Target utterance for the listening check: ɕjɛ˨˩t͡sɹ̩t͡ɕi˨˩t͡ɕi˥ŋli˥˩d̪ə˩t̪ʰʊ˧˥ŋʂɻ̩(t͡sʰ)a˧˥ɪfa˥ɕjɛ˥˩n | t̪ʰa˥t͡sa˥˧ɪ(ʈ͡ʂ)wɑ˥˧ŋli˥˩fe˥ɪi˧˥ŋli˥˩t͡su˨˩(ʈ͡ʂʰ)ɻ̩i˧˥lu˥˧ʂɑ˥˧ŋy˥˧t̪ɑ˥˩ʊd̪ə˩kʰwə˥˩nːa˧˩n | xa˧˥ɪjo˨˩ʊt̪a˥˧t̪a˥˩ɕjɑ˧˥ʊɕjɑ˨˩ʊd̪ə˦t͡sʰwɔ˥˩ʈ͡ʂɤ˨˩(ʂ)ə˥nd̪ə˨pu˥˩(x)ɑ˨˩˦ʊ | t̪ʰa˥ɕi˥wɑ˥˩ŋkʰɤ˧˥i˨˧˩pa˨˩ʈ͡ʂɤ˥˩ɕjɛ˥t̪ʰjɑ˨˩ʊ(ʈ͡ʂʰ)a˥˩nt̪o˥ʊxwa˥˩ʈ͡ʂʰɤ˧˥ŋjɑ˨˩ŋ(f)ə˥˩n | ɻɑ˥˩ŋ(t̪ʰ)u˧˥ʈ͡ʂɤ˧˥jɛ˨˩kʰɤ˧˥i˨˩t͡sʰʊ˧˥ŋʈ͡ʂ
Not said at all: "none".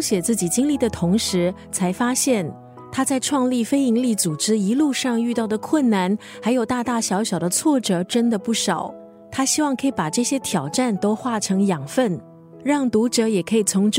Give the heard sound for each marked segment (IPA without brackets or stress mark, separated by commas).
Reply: t͡sʰ, ʈ͡ʂʰ, ʈ͡ʂ, ʈ͡ʂ, ʂ, ʈ͡ʂ, f, t̪